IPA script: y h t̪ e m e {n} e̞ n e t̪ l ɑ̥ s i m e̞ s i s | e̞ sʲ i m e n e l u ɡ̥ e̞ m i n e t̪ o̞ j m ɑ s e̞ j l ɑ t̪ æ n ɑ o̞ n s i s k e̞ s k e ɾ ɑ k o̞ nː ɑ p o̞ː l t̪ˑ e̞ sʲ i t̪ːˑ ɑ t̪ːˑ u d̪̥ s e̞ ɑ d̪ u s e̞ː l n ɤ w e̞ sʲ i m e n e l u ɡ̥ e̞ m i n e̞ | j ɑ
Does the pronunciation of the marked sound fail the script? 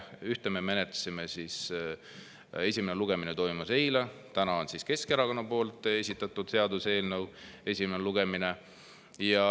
yes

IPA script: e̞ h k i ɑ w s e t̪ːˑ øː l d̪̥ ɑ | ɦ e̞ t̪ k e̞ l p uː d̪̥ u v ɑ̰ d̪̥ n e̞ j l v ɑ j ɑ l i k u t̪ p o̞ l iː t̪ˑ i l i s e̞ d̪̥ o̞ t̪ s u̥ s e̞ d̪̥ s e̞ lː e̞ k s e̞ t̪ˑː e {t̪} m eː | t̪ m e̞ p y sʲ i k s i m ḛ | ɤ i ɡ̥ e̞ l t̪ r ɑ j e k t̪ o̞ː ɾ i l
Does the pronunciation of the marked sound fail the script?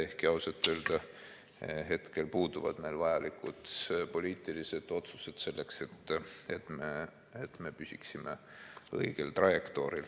no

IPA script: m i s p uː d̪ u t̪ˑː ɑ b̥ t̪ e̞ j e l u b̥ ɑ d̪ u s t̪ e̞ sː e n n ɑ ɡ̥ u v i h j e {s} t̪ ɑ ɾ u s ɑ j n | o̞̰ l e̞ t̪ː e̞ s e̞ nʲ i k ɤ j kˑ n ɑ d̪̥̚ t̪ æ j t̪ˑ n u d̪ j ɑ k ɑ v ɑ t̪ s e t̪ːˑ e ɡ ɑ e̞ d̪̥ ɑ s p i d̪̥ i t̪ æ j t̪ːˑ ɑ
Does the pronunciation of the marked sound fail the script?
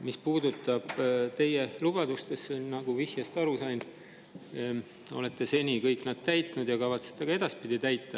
no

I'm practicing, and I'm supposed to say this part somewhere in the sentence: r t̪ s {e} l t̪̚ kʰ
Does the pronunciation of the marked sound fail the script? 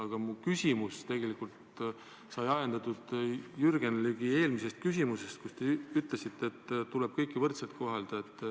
no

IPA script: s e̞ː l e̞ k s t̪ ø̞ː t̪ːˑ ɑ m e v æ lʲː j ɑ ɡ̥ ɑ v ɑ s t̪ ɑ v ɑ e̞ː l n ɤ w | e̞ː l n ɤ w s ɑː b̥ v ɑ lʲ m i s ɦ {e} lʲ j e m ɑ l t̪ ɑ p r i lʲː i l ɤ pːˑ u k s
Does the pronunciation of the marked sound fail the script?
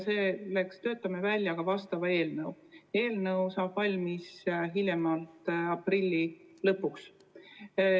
yes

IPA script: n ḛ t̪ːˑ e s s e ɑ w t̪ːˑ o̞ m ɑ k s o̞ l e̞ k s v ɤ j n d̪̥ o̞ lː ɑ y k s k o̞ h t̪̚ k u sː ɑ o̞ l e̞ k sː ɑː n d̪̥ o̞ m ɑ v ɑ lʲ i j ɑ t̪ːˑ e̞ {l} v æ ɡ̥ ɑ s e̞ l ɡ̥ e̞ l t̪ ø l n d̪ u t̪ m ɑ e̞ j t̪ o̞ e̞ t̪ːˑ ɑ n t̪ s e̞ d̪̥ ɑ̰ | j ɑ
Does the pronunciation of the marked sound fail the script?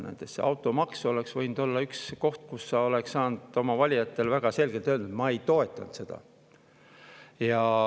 no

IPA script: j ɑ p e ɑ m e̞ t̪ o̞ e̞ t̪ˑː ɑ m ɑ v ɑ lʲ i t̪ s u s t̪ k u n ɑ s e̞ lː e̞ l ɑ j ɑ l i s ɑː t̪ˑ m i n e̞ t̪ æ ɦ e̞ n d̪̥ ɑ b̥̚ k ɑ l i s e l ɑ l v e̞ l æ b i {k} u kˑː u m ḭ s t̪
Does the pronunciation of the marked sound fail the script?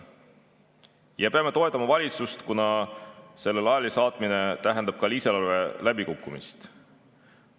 no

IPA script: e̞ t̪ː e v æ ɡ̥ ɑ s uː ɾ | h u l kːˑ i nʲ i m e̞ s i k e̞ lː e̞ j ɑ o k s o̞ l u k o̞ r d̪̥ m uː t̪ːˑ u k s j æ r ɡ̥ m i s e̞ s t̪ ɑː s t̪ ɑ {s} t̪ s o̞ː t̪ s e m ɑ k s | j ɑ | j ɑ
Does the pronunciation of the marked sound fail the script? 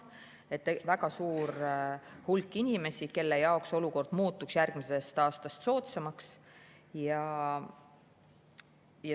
no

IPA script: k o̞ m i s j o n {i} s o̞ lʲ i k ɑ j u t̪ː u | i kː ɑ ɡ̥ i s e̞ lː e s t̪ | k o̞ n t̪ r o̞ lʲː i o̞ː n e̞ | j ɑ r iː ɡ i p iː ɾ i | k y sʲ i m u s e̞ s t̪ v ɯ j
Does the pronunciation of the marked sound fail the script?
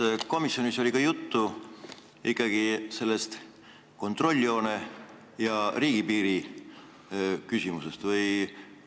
no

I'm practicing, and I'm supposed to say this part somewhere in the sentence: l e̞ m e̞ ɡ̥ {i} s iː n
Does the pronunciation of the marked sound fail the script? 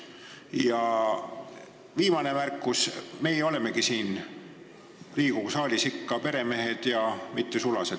no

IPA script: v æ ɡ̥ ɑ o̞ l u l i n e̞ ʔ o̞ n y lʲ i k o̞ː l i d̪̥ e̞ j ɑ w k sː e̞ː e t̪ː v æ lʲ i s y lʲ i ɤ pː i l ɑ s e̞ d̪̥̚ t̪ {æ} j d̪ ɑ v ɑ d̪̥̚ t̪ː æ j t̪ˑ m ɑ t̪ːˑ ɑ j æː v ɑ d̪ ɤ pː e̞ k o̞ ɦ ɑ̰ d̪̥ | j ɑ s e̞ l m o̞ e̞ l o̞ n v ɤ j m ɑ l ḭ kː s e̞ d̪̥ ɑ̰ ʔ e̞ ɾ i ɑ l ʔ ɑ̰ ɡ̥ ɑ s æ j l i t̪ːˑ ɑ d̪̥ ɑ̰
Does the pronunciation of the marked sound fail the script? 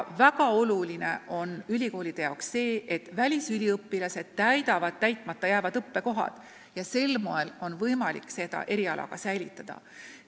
no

